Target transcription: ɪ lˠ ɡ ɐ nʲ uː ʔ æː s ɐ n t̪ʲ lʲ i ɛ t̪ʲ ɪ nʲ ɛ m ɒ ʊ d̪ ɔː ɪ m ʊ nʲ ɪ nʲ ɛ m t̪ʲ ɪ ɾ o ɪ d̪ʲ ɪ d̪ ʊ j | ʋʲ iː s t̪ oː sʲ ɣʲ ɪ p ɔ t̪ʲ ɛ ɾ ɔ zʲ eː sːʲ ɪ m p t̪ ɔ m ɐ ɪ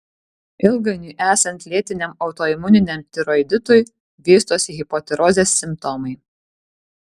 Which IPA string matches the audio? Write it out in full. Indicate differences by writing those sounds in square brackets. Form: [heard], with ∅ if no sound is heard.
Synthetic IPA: ɪ lˠ ɡ ɐ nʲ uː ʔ æː s ɐ n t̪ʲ lʲ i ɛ t̪ʲ ɪ nʲ ɛ m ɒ ʊ [t̪] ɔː ɪ m ʊ nʲ ɪ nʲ ɛ m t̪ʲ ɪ ɾ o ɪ d̪ʲ ɪ [t̪] ʊ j | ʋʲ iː s t̪ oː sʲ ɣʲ ɪ p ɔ t̪ʲ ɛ ɾ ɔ zʲ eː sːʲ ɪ m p t̪ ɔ m ɐ ɪ